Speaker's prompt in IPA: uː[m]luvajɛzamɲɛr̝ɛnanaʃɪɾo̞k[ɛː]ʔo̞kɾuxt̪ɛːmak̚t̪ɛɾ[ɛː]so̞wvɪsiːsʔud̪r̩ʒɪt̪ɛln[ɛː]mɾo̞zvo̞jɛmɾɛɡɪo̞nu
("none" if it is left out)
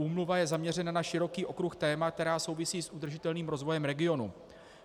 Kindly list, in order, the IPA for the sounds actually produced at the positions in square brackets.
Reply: m, iː, aː, iː

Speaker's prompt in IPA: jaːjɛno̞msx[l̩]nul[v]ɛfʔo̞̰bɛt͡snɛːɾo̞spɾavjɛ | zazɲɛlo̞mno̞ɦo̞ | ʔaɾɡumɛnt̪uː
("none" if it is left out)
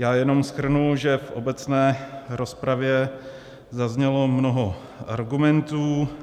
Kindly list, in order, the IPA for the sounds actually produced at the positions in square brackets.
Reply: r̩, ʒ

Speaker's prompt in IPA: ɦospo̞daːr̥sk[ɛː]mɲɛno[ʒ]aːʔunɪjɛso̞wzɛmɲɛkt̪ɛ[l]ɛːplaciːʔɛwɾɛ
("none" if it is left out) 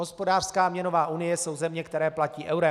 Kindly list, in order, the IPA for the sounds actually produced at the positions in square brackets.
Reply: aː, v, ɾ

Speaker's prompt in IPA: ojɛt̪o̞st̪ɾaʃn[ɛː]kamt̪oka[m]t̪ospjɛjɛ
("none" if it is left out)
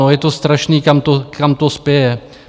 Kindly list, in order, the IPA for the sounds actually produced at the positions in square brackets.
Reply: iː, m

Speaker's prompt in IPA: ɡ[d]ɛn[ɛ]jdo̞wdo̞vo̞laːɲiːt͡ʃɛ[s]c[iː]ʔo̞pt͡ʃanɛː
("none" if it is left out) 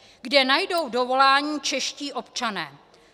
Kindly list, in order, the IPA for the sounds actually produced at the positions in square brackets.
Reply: d, a, ʃ, iː

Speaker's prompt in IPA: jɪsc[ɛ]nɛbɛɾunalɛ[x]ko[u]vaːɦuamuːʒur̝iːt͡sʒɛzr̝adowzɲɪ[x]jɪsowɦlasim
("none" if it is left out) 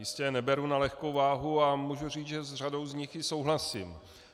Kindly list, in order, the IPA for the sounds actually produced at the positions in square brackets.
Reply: ɛ, x, w, x

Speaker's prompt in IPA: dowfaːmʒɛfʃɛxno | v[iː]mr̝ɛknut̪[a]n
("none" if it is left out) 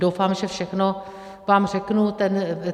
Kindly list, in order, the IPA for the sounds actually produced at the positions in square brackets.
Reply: aː, ɛ

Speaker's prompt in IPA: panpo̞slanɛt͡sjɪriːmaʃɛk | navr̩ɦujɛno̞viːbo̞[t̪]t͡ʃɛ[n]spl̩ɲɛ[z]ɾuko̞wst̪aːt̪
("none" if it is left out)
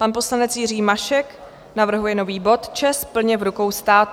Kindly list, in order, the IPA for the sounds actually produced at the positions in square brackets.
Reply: t̪, none, v

